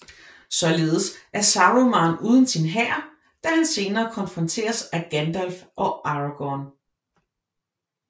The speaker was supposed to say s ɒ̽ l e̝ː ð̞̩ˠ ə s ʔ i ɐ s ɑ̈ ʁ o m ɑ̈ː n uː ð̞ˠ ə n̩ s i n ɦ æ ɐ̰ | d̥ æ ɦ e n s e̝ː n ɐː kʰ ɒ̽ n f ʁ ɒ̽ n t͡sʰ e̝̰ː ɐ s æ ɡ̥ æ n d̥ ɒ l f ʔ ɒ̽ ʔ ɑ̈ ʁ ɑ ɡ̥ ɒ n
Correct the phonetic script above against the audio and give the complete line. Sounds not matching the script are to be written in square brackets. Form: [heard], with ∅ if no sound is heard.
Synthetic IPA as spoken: s ɒ̽ l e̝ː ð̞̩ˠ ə s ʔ [æ] ɐ s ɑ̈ ʁ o m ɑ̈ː n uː ð̞ˠ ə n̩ s i n ɦ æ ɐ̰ | d̥ æ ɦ [æ] n s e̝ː n ɐː kʰ ɒ̽ n f ʁ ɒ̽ n t͡sʰ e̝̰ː ɐ s æ ɡ̥ æ n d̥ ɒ l f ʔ ɒ̽ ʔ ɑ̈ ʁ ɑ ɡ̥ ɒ n